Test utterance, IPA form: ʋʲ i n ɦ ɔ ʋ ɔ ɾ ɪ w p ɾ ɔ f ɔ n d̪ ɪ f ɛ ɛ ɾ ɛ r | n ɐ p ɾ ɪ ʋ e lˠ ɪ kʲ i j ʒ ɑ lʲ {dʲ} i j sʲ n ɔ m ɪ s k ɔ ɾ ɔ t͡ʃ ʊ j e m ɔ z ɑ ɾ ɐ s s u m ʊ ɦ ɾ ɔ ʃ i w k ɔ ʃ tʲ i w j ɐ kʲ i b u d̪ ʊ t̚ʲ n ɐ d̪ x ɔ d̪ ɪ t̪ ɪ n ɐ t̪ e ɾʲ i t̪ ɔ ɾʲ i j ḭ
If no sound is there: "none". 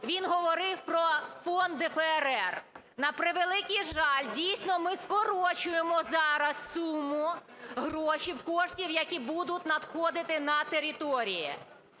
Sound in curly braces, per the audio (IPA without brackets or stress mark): dʲ